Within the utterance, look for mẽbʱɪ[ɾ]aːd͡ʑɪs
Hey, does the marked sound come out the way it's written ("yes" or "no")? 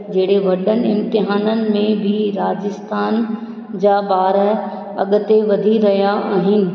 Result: yes